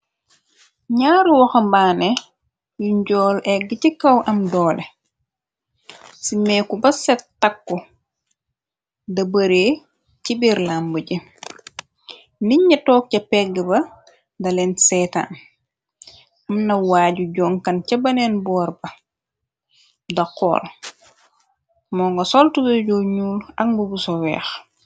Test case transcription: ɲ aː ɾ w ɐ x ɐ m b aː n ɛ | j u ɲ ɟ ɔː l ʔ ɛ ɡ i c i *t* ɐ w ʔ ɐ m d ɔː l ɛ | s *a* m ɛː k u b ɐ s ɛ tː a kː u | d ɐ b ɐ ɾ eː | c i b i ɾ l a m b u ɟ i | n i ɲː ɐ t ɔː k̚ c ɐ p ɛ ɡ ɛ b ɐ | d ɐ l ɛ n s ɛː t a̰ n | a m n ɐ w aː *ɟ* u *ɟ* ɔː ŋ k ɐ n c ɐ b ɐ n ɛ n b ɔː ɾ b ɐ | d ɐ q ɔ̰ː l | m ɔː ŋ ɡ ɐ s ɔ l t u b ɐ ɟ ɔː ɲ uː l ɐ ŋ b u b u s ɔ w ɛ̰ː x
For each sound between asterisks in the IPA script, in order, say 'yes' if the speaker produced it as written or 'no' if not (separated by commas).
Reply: no, no, yes, yes